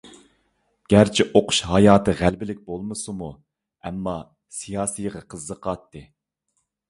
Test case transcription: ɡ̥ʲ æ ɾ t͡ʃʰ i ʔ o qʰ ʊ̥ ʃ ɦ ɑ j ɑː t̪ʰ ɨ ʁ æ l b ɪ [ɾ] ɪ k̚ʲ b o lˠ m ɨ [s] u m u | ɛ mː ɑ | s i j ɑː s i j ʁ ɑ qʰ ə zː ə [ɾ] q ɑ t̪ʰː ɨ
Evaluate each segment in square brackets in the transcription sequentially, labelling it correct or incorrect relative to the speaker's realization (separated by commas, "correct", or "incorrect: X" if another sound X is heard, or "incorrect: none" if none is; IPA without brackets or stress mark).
incorrect: l, correct, incorrect: none